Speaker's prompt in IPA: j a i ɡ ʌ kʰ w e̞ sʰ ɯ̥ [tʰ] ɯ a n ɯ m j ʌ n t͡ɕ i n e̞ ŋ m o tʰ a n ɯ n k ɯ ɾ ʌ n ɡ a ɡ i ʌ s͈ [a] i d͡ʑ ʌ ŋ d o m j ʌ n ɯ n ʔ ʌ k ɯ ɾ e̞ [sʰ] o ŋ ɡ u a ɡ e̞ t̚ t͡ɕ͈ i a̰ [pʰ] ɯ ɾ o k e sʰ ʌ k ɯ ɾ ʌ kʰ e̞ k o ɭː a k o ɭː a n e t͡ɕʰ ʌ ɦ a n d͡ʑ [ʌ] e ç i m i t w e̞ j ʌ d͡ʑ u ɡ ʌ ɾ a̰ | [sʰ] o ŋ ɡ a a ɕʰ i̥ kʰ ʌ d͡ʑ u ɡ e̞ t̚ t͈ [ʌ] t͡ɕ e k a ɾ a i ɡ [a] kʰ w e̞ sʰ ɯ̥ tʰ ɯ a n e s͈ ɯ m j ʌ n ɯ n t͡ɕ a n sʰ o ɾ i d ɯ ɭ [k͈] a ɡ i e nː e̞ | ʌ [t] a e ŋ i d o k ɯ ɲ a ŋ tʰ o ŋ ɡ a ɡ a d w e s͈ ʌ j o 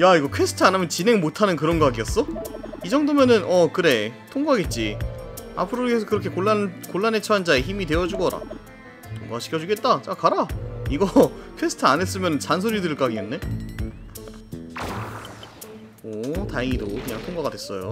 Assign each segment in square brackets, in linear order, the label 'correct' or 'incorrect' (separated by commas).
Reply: correct, incorrect, incorrect, correct, incorrect, incorrect, incorrect, incorrect, correct, correct